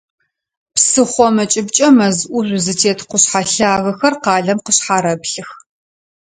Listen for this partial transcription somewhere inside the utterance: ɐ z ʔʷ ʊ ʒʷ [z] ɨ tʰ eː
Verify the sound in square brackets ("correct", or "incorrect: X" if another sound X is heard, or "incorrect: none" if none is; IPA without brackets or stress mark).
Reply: correct